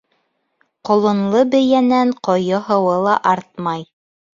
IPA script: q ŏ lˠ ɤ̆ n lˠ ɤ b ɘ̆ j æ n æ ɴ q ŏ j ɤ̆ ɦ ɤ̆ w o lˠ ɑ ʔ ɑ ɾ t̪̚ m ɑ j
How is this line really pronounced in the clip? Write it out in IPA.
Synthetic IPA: q ŏ lˠ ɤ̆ n lˠ ɤ b ɘ̆ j æ n æ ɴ q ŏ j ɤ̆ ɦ ɤ̆ w ɤ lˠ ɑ ʔ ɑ ɾ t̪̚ m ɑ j